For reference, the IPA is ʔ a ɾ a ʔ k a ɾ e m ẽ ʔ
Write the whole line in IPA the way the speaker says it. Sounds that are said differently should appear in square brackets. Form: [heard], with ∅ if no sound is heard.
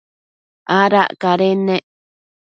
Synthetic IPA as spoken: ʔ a ɾ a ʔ k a ɾ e [n] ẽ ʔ